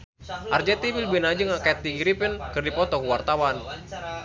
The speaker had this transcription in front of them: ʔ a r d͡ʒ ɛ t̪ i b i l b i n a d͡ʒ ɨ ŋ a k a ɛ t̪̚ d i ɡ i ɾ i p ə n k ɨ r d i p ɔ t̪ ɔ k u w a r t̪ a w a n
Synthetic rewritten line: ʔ a r d͡ʒ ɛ t̪ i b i l b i n a d͡ʒ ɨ ŋ a k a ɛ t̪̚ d i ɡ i ɾ i p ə n k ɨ r d i p ɔ t̪ ɔ k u w a r t̪ a w a n